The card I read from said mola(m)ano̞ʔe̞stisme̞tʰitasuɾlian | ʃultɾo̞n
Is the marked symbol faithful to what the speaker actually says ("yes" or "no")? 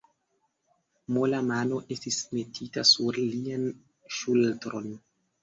yes